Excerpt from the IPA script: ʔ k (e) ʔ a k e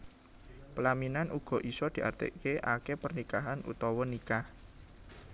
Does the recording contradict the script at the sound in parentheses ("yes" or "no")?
no